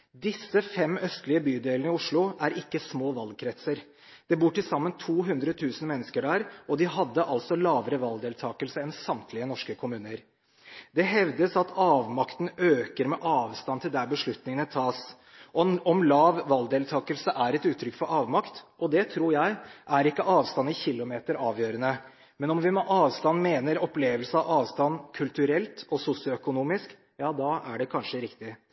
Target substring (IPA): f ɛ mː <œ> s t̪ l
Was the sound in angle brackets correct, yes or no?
yes